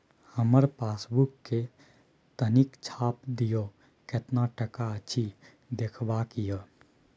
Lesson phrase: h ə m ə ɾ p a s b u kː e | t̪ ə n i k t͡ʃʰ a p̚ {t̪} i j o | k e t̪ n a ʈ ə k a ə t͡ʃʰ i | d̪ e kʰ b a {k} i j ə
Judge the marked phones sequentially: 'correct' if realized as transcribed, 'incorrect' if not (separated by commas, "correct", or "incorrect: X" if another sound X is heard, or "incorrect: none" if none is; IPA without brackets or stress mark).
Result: incorrect: d̪, correct